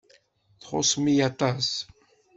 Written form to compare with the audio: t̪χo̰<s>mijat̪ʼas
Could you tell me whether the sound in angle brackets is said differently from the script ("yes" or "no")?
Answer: no